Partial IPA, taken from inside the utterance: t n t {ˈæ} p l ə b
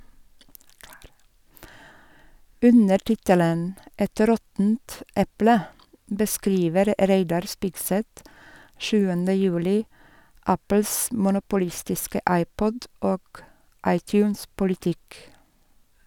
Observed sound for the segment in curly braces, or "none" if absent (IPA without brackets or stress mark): ɛ